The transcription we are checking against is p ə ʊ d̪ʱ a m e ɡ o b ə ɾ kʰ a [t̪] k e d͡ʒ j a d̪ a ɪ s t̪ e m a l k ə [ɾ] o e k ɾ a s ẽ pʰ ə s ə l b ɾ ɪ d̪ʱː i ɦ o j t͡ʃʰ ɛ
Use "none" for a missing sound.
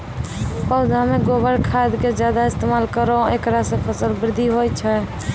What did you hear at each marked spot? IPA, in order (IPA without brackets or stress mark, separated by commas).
d̪, ɾ